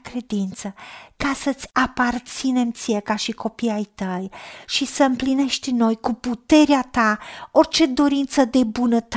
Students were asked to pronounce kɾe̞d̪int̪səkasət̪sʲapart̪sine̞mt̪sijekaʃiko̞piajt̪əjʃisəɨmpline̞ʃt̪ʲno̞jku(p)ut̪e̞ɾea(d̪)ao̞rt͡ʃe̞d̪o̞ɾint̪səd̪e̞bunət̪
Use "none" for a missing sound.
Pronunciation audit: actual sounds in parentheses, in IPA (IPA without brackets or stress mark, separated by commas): p, t̪